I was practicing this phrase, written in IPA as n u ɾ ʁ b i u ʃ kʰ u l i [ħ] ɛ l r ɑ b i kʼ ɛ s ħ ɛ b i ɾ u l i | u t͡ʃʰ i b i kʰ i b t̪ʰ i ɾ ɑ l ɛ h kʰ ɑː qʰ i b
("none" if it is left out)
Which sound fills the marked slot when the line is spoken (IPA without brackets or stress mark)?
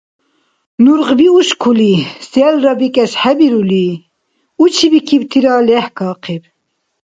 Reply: s